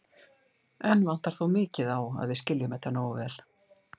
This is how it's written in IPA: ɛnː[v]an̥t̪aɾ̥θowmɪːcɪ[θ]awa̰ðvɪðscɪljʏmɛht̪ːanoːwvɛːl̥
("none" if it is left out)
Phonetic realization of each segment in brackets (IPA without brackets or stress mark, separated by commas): v, ð